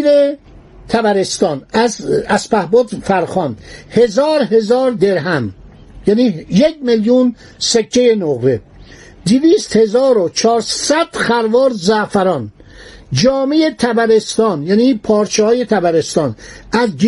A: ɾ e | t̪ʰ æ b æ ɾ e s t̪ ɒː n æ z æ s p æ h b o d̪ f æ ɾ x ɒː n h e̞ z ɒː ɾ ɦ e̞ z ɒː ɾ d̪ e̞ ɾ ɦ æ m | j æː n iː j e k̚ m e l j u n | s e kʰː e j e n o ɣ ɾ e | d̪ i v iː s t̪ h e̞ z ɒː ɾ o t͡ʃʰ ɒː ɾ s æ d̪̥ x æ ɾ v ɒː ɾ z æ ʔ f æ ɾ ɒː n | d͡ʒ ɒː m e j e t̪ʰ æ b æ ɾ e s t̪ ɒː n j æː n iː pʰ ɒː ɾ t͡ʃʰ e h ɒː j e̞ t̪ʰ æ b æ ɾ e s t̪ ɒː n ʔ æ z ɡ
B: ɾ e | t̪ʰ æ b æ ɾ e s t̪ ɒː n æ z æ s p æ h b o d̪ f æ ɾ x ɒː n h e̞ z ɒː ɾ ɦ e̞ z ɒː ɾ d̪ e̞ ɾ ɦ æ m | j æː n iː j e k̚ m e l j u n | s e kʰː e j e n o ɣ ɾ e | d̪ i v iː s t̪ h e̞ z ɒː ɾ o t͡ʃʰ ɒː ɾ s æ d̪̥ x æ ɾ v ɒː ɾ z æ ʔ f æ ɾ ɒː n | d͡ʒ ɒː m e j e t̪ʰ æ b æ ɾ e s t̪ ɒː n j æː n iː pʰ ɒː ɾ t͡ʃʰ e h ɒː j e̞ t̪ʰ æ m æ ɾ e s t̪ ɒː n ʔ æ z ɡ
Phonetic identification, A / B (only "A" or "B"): A